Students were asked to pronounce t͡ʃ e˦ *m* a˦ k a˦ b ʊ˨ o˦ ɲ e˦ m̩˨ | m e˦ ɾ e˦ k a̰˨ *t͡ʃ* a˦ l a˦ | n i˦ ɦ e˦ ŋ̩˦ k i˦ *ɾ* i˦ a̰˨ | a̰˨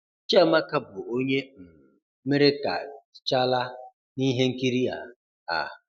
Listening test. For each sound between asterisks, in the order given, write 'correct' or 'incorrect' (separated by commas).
correct, correct, correct